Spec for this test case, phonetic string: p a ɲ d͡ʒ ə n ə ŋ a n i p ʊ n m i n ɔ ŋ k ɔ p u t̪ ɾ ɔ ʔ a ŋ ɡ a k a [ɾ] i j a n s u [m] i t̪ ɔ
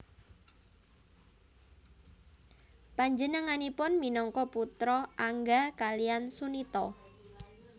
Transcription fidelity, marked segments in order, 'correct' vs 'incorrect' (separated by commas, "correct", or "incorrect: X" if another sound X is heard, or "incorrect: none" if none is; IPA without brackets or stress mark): incorrect: l, incorrect: n